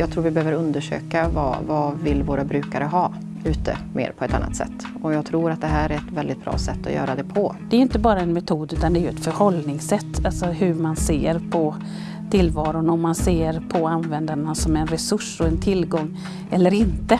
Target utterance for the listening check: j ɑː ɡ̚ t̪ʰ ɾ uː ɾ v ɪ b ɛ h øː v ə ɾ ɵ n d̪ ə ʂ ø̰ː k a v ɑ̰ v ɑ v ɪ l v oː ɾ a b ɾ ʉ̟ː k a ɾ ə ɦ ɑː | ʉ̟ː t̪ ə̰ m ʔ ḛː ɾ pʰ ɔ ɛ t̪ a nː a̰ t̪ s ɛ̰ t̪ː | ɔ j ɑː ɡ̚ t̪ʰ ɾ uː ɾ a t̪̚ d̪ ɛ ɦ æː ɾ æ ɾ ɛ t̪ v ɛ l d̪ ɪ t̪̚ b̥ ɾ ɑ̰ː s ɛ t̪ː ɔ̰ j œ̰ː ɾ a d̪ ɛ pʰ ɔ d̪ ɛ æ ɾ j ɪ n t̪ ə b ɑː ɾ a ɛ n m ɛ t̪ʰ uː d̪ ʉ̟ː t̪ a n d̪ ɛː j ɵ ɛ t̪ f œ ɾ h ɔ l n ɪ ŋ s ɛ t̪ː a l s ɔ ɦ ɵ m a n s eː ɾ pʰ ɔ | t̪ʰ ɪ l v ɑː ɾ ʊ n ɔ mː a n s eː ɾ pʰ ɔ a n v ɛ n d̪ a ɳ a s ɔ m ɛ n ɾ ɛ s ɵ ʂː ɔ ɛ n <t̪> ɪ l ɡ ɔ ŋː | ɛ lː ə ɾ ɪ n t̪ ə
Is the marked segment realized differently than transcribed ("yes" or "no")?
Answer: yes